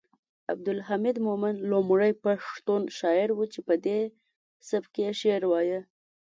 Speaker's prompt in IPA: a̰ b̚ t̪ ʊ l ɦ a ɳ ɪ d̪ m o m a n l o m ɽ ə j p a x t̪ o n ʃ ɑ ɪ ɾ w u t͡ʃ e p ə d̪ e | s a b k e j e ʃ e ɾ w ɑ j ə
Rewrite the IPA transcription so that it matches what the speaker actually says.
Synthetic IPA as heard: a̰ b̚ d̪ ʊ l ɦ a m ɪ d̪ m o m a n l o m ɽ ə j p a ʂ t̪ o n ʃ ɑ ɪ ɾ w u t͡ʃ e p ə d̪ e | s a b k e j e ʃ e ɾ w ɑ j ə